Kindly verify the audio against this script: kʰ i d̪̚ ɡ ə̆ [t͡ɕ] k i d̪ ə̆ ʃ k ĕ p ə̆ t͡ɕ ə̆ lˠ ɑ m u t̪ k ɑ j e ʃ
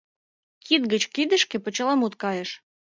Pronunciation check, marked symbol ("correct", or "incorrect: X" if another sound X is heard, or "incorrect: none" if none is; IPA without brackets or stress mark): correct